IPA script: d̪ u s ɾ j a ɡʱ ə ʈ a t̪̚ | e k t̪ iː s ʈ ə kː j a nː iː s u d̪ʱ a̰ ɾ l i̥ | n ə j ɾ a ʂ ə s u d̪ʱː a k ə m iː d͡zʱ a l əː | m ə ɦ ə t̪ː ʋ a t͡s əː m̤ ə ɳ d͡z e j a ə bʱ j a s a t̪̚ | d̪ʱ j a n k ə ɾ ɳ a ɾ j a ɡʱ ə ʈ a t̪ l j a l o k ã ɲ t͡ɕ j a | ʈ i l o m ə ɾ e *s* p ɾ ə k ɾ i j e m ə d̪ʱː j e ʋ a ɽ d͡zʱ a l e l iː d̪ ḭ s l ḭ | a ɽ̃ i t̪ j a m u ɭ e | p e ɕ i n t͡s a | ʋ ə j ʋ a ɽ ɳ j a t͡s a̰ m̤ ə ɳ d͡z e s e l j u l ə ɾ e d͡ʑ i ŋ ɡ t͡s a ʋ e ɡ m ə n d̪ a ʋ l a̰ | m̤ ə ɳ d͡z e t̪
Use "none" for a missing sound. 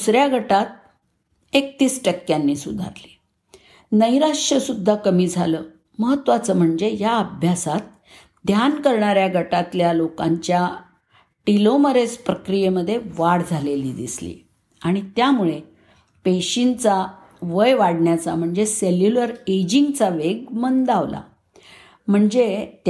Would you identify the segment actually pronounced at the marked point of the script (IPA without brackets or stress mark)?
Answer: s